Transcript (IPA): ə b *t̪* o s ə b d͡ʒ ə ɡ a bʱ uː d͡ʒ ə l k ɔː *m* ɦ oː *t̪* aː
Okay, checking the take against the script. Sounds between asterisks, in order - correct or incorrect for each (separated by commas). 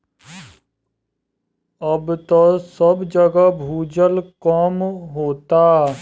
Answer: correct, correct, correct